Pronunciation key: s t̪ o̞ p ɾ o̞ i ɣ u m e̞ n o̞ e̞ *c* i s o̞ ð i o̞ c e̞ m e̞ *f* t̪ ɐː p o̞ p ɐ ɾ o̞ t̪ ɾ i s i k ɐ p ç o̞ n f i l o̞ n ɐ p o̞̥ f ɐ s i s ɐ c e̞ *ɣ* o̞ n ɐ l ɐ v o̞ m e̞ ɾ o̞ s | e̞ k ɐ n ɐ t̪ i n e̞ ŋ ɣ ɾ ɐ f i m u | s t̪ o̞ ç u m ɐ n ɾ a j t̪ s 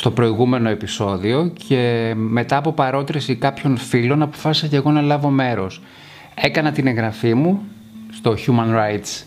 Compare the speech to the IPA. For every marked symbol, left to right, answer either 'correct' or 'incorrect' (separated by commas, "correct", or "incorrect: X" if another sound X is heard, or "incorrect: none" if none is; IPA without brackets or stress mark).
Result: incorrect: p, incorrect: none, correct